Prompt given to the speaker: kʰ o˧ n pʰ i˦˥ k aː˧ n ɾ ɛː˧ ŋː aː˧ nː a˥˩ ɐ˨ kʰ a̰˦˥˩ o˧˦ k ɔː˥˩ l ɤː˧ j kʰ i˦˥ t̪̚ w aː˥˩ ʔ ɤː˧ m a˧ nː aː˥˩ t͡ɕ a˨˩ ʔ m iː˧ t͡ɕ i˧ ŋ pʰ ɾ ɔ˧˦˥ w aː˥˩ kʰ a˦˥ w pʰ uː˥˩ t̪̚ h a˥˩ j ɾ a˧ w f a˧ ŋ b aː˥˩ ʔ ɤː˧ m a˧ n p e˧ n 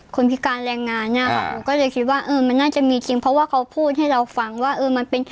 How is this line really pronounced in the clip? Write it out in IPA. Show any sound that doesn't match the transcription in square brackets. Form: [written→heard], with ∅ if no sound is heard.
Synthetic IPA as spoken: kʰ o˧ n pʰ i˦˥ k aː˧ n ɾ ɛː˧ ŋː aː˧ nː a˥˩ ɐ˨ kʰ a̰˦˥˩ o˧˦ k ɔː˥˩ l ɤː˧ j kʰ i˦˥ t̪̚ w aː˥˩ ʔ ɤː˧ m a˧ nː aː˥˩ t͡ɕ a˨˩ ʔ m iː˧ t͡ɕ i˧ ŋ pʰ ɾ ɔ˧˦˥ w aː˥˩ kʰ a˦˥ w pʰ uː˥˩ t̪̚ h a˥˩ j ɾ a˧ w f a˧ ŋ [b→w] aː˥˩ ʔ ɤː˧ m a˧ n p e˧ n